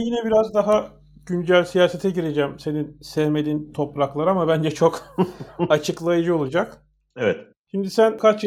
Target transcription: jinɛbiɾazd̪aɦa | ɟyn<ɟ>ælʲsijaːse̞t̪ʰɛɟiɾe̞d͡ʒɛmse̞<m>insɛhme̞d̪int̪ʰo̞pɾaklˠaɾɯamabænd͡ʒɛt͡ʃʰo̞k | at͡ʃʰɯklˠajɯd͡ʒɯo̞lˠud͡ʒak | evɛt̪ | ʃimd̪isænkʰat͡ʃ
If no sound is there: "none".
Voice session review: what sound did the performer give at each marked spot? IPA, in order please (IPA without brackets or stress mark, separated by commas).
ɟ, n